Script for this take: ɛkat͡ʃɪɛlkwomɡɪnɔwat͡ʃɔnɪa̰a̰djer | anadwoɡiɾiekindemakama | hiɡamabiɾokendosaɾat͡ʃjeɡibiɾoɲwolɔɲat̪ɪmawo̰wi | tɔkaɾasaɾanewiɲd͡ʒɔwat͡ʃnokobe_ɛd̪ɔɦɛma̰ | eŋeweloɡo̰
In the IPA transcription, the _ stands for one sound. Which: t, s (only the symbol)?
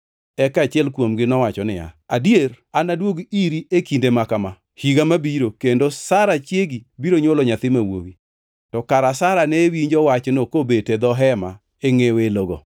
t